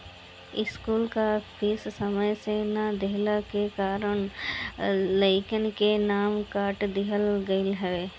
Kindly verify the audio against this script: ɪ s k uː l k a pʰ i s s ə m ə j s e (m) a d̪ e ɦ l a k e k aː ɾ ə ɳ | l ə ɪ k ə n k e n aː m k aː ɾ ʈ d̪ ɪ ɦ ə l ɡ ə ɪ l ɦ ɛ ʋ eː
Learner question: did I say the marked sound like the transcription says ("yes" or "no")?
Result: no